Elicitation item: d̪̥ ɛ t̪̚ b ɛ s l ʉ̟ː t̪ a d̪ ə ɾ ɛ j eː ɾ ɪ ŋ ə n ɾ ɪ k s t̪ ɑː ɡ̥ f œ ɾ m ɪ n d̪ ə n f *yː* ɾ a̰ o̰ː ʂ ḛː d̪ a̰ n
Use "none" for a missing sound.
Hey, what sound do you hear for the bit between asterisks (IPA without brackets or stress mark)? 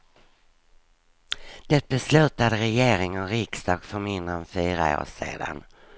yː